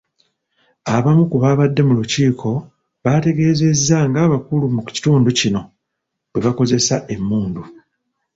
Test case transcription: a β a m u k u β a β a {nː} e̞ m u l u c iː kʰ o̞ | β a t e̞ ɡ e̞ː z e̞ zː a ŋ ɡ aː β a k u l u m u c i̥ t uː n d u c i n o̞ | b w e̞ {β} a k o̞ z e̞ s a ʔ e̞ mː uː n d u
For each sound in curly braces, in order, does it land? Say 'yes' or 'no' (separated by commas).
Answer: no, yes